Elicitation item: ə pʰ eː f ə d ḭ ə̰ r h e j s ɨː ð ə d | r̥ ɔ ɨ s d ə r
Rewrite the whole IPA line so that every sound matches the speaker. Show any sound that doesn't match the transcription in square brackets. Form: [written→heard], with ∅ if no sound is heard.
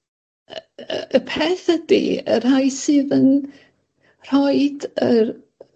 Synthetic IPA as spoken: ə pʰ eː [f→θ] ə d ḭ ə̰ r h [e→a] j s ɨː ð ə [d→n] | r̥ ɔ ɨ [s→∅] d ə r